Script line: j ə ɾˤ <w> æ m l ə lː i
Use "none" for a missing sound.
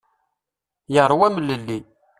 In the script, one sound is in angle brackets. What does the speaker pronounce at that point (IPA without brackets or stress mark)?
w